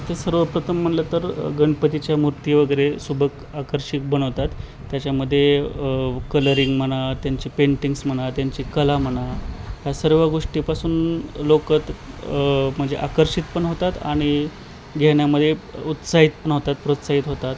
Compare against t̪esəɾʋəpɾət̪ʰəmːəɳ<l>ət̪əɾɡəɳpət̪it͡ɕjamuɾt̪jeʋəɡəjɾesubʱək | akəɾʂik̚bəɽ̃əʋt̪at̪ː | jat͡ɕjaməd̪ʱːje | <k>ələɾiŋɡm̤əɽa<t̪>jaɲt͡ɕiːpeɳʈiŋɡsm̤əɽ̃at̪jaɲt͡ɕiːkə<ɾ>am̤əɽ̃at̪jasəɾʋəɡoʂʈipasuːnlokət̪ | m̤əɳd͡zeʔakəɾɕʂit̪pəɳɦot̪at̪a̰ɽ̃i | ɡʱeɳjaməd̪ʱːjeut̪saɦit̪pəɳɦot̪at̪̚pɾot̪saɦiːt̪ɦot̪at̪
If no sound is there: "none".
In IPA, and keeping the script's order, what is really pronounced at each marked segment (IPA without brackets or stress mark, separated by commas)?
l, k, t̪, l